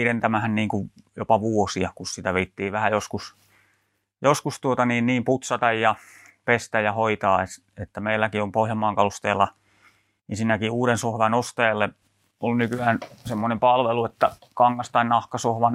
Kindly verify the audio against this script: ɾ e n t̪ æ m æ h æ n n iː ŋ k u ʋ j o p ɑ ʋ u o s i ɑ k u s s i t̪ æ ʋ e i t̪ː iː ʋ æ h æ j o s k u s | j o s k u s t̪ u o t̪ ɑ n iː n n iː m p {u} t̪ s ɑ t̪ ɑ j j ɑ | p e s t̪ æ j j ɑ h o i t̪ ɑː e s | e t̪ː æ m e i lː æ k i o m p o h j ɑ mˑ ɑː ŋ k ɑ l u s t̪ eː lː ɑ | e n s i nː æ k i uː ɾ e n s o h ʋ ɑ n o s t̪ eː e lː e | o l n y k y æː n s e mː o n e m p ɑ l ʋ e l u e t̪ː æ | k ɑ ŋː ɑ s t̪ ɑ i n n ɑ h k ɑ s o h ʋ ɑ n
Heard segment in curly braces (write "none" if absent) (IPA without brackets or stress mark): u